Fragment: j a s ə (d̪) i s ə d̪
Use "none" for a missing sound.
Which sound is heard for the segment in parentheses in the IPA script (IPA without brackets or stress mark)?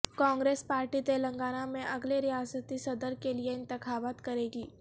t̪